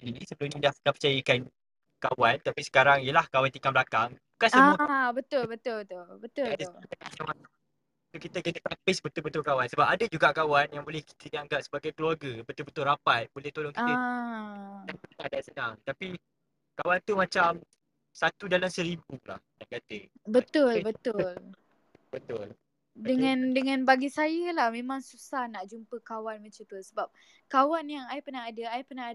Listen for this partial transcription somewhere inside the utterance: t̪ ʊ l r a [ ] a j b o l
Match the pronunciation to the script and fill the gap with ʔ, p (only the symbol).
p